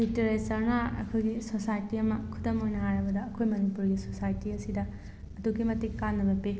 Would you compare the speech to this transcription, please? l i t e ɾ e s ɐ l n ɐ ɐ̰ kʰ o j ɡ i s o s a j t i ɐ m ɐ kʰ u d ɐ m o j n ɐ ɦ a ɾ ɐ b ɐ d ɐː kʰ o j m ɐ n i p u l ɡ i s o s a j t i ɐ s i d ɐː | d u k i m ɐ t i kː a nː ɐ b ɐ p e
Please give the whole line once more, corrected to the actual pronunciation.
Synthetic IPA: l i t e ɾ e s ɐ ɾ n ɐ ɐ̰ kʰ o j ɡ i s o s a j t i ɐ m ɐ kʰ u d ɐ m o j n ɐ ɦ a ɾ ɐ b ɐ d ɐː kʰ o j m ɐ n i p u ɾ ɡ i s o s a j t i ɐ s i d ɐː | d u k i m ɐ t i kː a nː ɐ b ɐ p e